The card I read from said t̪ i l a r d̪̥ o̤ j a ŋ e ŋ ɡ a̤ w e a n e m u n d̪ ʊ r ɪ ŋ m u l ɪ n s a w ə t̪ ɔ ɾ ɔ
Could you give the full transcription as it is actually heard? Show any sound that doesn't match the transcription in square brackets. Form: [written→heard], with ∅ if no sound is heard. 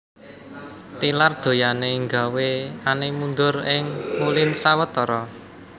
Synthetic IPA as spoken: t̪ i l a r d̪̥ o̤ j a [ŋ→n] e ŋ ɡ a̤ w e a n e m u n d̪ ʊ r ɪ ŋ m u l ɪ n s a w ə t̪ ɔ ɾ ɔ